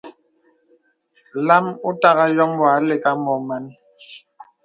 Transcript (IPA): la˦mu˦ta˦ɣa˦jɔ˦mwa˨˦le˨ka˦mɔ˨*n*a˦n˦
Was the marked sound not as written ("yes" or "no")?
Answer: yes